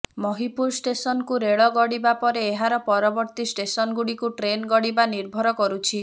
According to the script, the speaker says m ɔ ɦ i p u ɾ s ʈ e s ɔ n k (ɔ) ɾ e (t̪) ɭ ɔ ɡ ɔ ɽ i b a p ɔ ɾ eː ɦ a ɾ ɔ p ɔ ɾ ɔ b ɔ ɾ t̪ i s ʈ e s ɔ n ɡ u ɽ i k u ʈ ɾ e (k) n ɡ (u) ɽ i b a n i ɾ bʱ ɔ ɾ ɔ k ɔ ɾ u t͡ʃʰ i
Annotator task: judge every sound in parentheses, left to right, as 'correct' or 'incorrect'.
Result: incorrect: u, incorrect: none, incorrect: none, incorrect: ɔ

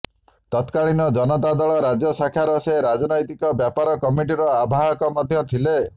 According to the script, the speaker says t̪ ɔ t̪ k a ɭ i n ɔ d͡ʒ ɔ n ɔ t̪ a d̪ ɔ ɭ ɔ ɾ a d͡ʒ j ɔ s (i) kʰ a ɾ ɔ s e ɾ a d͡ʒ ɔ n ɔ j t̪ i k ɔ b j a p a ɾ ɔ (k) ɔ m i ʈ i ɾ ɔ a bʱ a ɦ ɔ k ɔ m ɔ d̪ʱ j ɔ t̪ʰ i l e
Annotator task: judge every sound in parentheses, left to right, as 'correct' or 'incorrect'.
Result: incorrect: a, correct

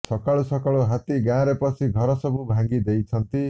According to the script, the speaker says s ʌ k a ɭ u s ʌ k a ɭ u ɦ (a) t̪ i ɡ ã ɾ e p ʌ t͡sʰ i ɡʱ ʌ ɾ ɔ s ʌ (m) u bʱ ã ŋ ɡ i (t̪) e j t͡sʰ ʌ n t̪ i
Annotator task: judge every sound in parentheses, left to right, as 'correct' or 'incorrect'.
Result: correct, incorrect: b, incorrect: d̪

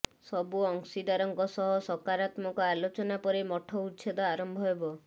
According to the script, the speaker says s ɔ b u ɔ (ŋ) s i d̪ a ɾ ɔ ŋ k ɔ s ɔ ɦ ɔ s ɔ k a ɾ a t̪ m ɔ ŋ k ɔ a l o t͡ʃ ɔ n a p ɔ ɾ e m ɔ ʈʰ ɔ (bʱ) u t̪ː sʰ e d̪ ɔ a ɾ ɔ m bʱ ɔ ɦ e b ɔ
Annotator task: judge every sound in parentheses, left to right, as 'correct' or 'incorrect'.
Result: correct, incorrect: none

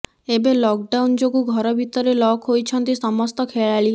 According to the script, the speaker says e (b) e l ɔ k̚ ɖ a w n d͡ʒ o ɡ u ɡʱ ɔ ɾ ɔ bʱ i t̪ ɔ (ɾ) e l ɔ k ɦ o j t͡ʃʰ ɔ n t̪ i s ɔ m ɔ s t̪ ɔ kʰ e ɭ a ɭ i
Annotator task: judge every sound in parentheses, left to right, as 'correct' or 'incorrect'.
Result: correct, correct

